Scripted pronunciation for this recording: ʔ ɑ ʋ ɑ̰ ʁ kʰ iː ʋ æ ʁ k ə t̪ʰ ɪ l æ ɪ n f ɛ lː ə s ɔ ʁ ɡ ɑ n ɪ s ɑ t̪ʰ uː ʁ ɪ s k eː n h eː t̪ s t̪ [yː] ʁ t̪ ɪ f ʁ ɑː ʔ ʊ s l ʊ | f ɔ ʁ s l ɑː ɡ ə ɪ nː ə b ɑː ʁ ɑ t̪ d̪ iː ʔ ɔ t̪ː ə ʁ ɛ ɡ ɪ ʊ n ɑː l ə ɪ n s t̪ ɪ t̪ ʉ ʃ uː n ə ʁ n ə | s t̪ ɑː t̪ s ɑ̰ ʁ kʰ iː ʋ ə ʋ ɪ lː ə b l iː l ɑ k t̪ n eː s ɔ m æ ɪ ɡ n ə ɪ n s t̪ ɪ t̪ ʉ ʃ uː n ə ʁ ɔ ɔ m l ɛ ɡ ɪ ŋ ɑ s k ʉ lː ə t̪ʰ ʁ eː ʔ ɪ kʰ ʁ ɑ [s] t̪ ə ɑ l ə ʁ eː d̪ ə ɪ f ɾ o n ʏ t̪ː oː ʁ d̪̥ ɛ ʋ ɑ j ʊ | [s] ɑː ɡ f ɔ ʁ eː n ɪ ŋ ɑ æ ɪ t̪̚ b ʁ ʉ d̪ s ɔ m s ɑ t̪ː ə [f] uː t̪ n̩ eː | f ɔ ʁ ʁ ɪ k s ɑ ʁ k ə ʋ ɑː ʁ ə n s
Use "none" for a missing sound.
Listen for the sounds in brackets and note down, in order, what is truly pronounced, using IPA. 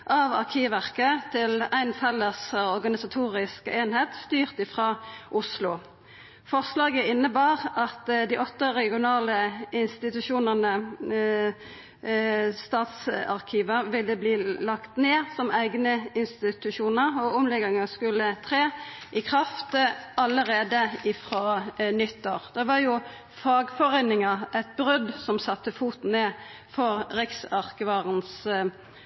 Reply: yː, f, f, f

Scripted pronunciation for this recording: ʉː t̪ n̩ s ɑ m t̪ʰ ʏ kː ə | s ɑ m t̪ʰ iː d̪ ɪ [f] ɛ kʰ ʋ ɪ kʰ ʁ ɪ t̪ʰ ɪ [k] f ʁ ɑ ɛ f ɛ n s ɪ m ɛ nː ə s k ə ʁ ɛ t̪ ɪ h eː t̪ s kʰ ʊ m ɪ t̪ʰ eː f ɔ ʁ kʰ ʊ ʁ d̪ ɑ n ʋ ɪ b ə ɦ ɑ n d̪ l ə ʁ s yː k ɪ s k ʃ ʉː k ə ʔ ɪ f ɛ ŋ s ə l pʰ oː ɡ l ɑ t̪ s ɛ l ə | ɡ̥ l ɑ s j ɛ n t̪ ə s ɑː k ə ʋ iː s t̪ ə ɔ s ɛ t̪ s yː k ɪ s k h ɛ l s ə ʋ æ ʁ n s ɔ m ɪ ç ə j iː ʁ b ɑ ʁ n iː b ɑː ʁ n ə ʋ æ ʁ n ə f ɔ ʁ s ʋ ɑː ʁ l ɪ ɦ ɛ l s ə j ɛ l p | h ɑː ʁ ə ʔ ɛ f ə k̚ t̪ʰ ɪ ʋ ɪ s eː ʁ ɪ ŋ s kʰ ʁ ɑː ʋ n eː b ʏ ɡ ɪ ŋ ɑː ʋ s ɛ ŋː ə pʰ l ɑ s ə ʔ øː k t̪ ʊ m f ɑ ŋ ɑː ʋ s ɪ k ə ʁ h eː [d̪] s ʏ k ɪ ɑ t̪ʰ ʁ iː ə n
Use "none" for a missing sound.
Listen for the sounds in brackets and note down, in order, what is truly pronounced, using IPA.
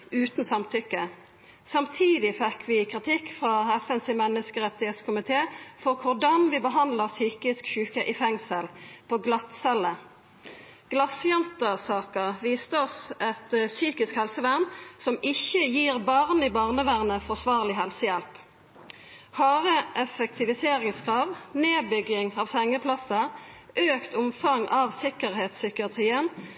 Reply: f, k, t̪

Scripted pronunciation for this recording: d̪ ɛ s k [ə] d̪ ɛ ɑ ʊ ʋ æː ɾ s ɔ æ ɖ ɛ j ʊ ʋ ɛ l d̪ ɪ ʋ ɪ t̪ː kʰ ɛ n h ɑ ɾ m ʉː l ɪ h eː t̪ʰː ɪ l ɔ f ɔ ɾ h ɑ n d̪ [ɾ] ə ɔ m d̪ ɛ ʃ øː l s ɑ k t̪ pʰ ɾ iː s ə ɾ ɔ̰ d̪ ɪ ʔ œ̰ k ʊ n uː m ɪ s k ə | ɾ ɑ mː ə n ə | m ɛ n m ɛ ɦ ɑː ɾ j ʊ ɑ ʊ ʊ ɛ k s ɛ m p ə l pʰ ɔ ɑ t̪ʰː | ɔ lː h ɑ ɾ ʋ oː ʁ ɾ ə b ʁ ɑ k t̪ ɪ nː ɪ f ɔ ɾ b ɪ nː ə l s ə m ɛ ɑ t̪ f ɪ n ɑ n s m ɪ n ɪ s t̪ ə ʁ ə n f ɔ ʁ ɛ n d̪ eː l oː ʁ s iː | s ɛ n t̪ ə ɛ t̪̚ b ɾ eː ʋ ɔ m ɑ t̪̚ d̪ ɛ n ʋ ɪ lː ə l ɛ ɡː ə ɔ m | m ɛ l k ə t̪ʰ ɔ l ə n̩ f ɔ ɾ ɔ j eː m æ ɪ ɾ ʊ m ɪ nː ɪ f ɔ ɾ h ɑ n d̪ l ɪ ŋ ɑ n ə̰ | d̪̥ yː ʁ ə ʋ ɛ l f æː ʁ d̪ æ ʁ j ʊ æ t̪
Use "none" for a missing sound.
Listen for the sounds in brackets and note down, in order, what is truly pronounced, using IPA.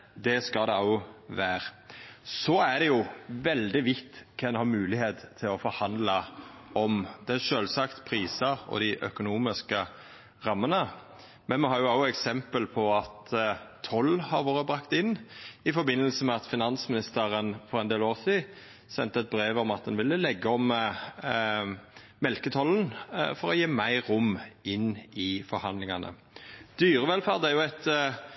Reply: ɑ, l

